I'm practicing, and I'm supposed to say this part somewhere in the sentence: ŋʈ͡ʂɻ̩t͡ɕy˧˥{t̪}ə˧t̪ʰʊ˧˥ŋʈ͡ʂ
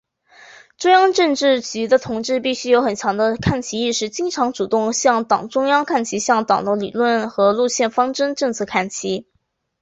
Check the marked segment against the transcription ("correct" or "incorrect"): incorrect